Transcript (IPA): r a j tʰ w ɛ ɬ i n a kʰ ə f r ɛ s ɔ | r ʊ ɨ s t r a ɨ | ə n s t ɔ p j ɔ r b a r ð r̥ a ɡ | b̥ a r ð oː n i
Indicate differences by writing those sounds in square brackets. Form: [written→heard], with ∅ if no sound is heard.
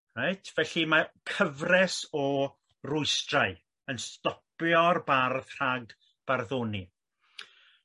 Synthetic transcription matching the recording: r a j tʰ [w→v] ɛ ɬ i [n→m] a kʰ ə [f→v] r ɛ s ɔ | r ʊ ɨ s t r a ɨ | ə n s t ɔ p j ɔ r b a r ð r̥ a ɡ | b̥ a r ð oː n i